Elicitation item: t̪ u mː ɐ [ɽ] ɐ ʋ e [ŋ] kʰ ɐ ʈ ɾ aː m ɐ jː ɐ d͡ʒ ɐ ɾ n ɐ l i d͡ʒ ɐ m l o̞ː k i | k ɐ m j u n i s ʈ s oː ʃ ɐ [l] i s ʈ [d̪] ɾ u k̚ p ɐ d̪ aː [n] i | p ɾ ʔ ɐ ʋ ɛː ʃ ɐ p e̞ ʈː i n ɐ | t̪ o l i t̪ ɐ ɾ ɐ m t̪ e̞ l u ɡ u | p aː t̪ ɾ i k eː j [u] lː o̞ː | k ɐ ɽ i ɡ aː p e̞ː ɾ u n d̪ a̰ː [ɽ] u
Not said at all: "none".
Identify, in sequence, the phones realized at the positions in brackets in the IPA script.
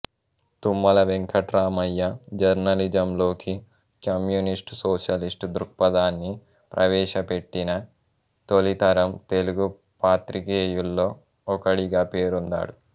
l, ŋ, l, d̪, nː, u, ɽ

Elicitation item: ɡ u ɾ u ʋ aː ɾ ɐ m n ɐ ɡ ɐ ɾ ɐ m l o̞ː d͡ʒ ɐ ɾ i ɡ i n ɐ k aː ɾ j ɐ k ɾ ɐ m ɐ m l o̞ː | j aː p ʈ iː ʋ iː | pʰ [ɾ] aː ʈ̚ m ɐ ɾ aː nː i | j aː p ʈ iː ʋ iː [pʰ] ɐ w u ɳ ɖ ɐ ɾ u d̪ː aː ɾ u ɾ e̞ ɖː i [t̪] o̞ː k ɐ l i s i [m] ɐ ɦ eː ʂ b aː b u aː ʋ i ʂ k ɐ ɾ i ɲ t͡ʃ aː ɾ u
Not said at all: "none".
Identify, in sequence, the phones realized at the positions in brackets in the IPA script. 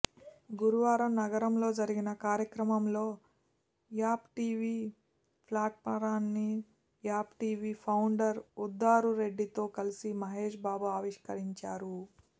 l, pʰ, t̪, m

